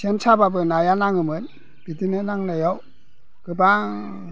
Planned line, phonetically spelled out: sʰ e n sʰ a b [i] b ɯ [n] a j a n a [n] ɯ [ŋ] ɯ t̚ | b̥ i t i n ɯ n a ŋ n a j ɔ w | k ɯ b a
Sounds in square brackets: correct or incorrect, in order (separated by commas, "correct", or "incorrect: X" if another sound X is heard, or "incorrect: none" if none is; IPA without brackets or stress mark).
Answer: incorrect: a, correct, incorrect: ŋ, incorrect: m